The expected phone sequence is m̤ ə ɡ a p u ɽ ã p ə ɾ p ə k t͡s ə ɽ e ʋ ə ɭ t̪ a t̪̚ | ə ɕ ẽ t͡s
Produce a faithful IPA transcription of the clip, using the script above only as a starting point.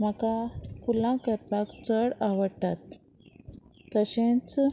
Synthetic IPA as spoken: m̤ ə k a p u l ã k ə ɾ p a k t͡s ə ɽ a ʋ ə ɽ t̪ a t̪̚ | ə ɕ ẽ t͡s